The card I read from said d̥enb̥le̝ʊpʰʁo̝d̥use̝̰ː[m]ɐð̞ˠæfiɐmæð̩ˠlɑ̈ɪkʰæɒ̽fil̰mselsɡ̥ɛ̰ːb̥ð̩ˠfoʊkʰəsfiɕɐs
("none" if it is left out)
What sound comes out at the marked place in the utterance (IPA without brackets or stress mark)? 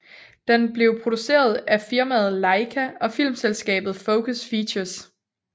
none